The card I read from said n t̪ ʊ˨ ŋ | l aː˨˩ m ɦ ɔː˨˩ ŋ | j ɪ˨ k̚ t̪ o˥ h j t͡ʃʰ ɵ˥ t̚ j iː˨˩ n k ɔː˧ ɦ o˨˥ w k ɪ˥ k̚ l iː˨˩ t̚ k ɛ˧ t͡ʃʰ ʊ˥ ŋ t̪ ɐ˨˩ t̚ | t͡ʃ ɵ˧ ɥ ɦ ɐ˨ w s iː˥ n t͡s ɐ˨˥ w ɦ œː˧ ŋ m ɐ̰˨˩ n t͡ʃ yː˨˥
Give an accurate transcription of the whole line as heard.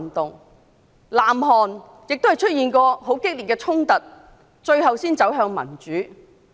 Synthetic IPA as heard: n t̪ ʊ˨ ŋ | l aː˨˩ m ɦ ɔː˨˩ n | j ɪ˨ k̚ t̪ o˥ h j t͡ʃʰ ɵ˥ t̚ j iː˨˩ n k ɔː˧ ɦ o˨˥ w k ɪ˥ k̚ l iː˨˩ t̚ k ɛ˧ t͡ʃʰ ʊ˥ ŋ t̪ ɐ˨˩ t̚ | t͡ʃ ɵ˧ ɥ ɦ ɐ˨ w s iː˥ n t͡s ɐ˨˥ w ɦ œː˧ ŋ m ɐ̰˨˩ n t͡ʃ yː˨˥